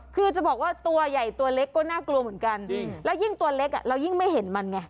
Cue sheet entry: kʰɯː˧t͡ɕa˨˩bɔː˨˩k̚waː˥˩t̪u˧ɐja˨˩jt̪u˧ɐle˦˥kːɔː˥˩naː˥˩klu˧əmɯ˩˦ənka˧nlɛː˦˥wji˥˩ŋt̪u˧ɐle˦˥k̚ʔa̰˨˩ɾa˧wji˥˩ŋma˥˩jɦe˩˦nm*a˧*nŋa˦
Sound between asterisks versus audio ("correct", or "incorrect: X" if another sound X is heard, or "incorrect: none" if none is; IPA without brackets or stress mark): correct